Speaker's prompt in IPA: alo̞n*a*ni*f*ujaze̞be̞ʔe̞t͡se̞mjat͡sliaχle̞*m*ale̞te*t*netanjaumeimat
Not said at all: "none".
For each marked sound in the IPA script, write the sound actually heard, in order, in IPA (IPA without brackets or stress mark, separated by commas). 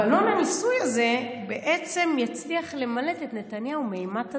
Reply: a, s, m, t